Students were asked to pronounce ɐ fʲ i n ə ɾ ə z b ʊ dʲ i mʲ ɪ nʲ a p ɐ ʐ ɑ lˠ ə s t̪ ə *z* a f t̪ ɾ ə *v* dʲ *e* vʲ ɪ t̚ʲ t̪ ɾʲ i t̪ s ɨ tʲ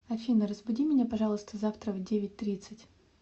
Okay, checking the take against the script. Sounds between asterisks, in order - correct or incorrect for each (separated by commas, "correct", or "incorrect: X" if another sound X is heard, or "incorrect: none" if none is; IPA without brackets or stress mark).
correct, correct, correct